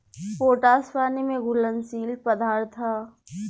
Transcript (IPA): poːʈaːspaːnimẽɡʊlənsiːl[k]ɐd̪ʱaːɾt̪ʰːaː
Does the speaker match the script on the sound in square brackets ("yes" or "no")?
no